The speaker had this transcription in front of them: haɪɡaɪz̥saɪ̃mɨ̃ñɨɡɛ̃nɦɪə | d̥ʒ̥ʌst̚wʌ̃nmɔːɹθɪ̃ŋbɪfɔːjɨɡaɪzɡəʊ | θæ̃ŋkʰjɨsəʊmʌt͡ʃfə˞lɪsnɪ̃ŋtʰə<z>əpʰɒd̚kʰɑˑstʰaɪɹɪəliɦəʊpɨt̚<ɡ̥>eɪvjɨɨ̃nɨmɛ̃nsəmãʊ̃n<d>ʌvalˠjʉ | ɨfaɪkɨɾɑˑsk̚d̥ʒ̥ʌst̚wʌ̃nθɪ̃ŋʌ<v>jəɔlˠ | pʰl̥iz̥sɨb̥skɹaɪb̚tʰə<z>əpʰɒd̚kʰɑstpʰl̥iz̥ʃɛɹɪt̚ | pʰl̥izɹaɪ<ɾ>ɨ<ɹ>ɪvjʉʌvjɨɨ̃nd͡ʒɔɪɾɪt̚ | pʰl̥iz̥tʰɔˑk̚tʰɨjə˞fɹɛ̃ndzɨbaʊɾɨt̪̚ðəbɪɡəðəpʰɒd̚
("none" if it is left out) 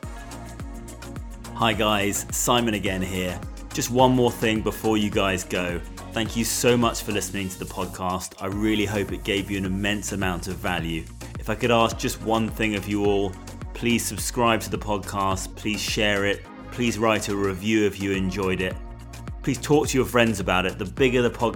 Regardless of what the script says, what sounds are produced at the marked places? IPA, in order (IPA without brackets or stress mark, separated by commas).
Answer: ð, ɡ̥, t, v, ð, ɾ, ɹ